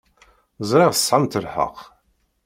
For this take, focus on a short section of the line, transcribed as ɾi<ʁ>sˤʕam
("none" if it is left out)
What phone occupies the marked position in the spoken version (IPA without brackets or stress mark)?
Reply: ʁ